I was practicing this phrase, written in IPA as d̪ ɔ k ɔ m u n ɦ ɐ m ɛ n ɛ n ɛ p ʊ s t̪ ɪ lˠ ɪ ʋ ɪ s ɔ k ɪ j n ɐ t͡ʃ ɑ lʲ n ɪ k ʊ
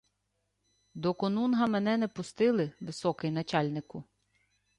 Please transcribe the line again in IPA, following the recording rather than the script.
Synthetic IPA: d̪ ɔ k ɔ n u n ɦ ɐ m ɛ n ɛ n ɛ p ʊ s t̪ ɪ lˠ ɪ ʋ ɪ s ɔ k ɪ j n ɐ t͡ʃ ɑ lʲ n ɪ k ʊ

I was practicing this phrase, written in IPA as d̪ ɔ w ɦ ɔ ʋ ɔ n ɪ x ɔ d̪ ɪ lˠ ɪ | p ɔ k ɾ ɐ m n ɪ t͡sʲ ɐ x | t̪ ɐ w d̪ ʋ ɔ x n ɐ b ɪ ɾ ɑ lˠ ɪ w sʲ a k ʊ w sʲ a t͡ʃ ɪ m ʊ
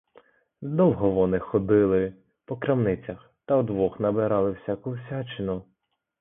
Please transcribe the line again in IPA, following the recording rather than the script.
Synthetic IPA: d̪ ɔ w ɦ ɔ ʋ ɔ n ɪ x ɔ d̪ ɪ lˠ ɪ | p ɔ k ɾ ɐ m n ɪ t͡sʲ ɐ x | t̪ ɐ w d̪ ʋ ɔ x n ɐ b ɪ ɾ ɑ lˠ ɪ w sʲ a k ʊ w sʲ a t͡ʃ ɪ n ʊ

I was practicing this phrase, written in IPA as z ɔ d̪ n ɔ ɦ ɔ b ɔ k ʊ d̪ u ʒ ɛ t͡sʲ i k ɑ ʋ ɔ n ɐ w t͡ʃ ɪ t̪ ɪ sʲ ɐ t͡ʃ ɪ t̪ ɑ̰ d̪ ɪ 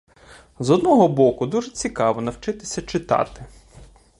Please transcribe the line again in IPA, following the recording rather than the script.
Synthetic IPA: z ɔ d̪ n ɔ ɦ ɔ b ɔ k ʊ d̪ u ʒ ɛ t͡sʲ i k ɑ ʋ ɔ n ɐ w t͡ʃ ɪ t̪ ɪ sʲ ɐ t͡ʃ ɪ t̪ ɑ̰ t̪ ɪ

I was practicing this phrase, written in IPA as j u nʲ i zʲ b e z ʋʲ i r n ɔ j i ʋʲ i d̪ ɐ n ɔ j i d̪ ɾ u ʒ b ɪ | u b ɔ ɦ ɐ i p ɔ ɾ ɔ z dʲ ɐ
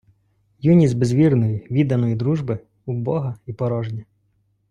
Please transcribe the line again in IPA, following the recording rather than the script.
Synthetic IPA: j u nʲ i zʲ b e z ʋʲ i r n ɔ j i ʋʲ i d̪ ɐ n ɔ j i d̪ ɾ u ʒ b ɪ | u b ɔ ɦ ɐ i p ɔ ɾ ɔ ʒ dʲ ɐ

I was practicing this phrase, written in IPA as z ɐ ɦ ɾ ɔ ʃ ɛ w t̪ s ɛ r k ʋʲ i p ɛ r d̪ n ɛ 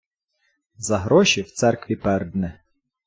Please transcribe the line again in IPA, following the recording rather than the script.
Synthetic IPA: z ɐ ɦ ɾ ɔ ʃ i w t̪ s ɛ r k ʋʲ i p ɛ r d̪ n ɛ

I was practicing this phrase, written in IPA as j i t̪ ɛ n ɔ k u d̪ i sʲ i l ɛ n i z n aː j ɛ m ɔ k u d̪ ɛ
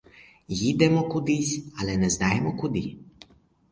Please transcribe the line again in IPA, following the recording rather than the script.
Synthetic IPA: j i d̪ ɛ m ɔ k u d̪ i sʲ a l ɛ n ɛ z n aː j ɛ m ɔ k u d̪ i

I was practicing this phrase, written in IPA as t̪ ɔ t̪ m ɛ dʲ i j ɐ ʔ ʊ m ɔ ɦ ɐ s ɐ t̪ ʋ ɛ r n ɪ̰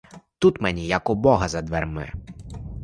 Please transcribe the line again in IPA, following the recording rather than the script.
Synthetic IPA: t̪ u t̪ m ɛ nʲ i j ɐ k ʊ b ɔ ɦ ɐ z ɐ d̪ ʋ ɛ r m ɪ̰

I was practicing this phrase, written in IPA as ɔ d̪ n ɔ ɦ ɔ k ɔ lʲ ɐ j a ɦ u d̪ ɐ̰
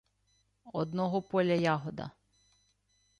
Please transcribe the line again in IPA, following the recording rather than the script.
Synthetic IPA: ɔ d̪ n ɔ ɦ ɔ p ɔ lʲ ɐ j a ɦ ɔ d̪ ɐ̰

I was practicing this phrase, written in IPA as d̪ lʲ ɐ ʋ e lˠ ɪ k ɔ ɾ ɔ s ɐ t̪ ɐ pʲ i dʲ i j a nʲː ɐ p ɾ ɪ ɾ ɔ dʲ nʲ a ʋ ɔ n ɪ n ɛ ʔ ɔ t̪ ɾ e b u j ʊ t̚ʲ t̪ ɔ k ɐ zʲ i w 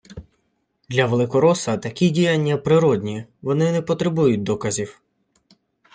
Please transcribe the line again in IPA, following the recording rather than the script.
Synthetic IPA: d̪ lʲ ɐ ʋ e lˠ ɪ k ɔ ɾ ɔ s ɐ t̪ ɐ kʲ i dʲ i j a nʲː ɐ p ɾ ɪ ɾ ɔ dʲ nʲ i ʋ ɔ n ɪ n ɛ p ɔ t̪ ɾ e b u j ʊ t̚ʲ d̪ ɔ k ɐ zʲ i w

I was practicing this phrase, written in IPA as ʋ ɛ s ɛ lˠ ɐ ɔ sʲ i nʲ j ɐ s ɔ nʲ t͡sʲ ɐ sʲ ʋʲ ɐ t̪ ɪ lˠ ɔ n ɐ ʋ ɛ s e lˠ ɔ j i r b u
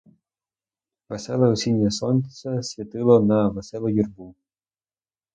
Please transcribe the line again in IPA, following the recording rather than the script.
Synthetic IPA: ʋ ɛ s ɛ lˠ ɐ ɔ sʲ i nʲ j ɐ s ɔ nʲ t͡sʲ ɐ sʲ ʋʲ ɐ t̪ ɪ lˠ ɔ n ɐ ʋ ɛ s ɛ lˠ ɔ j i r b u

